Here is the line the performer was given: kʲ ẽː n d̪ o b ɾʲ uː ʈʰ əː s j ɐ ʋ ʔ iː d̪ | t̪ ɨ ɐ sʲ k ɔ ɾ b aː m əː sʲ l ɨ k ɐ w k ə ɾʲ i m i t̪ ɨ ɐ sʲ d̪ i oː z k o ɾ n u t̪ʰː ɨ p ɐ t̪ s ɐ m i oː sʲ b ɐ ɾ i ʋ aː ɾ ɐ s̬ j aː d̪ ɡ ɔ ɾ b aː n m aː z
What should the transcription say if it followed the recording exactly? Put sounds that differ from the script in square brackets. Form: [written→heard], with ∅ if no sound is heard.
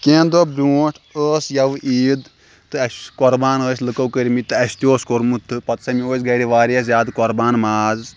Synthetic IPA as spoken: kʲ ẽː n d̪ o b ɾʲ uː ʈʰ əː s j ɐ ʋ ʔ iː d̪ | t̪ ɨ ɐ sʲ k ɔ ɾ b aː [m→n] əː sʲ l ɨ k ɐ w k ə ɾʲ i m i t̪ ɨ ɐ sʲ [d̪→t̪] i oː [z→s] k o ɾ [n→m] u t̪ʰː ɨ p ɐ t̪ s ɐ m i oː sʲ [b→ɡ] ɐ ɾ i ʋ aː ɾ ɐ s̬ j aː d̪ [ɡ→k] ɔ ɾ b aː n m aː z

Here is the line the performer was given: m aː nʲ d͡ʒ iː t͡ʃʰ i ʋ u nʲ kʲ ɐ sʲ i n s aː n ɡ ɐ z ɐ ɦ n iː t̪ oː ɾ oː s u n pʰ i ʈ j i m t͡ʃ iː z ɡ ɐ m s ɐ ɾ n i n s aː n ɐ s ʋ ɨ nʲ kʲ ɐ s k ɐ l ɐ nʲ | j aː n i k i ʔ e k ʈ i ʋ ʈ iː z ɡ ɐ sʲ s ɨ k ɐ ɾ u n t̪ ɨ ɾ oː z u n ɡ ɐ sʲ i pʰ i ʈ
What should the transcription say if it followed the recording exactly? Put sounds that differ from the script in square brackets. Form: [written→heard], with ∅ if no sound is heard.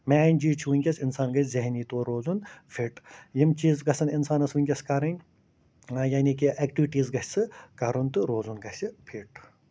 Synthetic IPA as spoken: m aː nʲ d͡ʒ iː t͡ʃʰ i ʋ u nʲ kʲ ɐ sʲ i n s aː n ɡ ɐ z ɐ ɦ n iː t̪ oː ɾ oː [s→z] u n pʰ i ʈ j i m t͡ʃ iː z ɡ ɐ [m→∅] s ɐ [ɾ→∅] n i n s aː n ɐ s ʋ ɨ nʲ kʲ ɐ s k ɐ [l→ɾ] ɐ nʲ | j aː n i k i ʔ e k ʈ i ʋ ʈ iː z ɡ ɐ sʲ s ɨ k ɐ ɾ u n t̪ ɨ ɾ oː z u n ɡ ɐ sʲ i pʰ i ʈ

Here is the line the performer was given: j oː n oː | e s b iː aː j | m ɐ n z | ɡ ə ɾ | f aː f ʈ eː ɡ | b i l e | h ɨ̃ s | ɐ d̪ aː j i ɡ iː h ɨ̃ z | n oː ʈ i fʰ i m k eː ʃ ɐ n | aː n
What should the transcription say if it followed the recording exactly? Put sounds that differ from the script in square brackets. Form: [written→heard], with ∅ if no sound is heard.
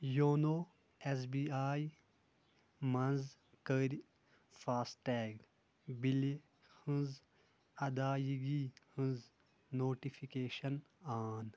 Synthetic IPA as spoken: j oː n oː | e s b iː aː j | m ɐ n z | [ɡ→k] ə ɾ | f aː [f→s] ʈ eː ɡ | b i l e | h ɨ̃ [s→z] | ɐ d̪ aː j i ɡ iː h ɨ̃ z | n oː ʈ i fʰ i [m→∅] k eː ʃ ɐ n | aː n

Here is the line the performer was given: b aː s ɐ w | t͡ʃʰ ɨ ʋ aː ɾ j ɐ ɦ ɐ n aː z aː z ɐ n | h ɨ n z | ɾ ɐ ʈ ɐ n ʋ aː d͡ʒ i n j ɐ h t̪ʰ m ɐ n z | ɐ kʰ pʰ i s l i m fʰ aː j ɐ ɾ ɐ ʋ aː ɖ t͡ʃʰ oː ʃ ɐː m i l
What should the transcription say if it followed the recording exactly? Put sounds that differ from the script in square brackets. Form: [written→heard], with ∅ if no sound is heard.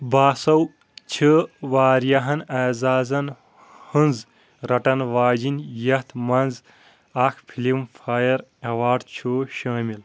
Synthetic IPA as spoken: b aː s ɐ w | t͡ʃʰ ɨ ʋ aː ɾ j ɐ ɦ ɐ n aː z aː z ɐ n | h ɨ n z | ɾ ɐ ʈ ɐ n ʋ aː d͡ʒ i n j ɐ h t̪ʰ m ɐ n z | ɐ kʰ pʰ i [s→∅] l i m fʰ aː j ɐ ɾ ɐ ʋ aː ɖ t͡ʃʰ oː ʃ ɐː m i l

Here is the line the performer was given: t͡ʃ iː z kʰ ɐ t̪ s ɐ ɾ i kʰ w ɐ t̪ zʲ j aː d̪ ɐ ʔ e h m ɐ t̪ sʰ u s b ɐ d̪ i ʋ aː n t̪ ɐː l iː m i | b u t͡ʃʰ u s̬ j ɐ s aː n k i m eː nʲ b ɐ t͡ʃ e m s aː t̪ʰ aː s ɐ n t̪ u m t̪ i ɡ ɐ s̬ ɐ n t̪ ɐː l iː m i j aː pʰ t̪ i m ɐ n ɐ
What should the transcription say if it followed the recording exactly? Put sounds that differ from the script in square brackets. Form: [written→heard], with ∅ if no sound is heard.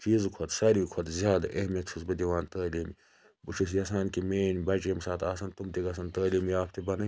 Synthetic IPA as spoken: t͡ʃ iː z kʰ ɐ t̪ s ɐ ɾ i kʰ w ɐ t̪ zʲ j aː d̪ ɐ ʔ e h m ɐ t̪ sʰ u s b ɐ d̪ i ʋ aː n t̪ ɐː l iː m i | b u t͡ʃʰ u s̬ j ɐ s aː n k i m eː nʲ b ɐ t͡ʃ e m s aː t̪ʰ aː s ɐ n t̪ u m t̪ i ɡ ɐ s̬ ɐ n t̪ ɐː l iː m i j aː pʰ t̪ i [m→b] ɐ n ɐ

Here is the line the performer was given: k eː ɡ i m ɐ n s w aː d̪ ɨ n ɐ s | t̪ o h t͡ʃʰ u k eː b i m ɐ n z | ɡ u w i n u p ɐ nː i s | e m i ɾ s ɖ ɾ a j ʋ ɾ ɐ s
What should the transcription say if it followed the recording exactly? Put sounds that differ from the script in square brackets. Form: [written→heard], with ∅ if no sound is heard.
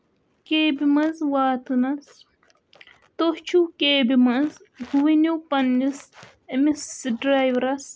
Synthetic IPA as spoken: k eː [ɡ→b] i m ɐ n [s→z] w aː [d̪→t̪] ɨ n ɐ s | t̪ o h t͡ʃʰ u k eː b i m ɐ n z | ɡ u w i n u p ɐ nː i s | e m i [ɾ→∅] s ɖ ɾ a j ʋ ɾ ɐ s

